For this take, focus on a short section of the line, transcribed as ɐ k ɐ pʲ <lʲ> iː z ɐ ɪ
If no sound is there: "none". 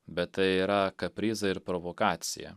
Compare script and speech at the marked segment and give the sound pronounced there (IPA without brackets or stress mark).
ɾʲ